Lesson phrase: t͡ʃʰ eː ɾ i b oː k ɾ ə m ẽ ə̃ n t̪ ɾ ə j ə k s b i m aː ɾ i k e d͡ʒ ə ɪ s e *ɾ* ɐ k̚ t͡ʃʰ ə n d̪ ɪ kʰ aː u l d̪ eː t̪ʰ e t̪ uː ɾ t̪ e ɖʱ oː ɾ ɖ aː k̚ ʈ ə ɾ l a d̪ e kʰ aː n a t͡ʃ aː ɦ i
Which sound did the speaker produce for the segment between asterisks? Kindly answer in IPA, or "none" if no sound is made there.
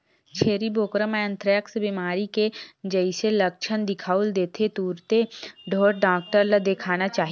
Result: l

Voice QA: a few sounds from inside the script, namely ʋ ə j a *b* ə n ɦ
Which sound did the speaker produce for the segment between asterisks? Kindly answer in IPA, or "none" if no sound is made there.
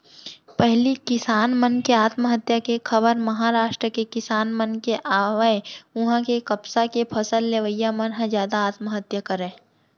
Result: m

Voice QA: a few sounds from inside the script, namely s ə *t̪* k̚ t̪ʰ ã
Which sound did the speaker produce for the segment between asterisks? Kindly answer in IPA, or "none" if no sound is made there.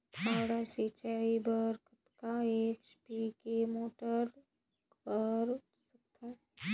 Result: none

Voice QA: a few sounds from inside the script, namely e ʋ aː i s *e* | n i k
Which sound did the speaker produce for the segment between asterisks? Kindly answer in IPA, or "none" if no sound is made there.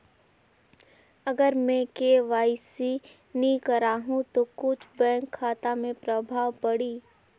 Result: i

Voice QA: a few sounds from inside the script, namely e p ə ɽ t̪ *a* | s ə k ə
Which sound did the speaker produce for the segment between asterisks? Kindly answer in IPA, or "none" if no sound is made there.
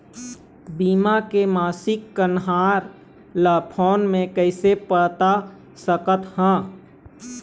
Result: a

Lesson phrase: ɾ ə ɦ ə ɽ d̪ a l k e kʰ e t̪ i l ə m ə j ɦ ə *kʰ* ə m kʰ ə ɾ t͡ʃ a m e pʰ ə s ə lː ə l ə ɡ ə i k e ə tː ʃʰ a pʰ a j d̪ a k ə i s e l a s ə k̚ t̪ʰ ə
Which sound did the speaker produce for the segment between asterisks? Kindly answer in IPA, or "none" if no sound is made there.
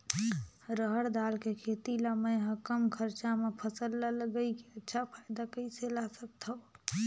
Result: k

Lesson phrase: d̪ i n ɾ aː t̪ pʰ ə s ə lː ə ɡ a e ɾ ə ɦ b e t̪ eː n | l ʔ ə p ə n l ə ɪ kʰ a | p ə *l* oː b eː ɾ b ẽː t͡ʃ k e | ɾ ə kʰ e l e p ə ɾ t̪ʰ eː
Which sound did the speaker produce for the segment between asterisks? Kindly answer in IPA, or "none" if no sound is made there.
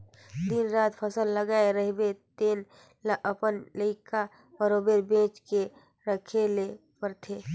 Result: ɾ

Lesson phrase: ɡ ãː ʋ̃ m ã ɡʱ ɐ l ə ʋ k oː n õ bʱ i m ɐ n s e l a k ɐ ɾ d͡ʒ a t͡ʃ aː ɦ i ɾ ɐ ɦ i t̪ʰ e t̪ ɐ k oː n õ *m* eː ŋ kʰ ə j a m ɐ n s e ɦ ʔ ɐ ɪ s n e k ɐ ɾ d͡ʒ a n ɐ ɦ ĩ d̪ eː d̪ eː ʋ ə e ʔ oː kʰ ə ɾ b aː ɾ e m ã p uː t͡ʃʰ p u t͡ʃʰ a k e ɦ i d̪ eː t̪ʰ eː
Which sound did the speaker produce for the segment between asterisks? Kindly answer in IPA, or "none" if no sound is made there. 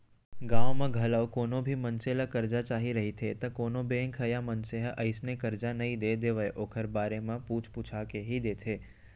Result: b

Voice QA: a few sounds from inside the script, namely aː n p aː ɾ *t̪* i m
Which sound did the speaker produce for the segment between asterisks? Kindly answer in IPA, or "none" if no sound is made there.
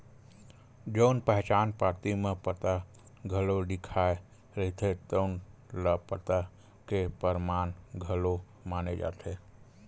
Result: t̪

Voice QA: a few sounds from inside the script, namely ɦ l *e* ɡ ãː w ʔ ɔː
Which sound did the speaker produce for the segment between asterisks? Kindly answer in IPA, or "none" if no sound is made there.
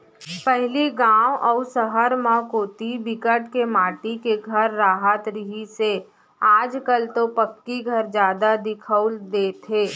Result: i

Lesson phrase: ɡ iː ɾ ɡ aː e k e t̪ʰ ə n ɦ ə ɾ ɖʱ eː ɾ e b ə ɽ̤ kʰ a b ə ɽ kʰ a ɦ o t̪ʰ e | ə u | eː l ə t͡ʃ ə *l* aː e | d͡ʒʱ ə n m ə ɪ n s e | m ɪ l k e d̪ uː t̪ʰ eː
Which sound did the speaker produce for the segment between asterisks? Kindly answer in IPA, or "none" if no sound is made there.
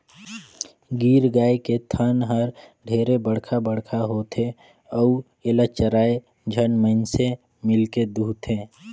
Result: ɾ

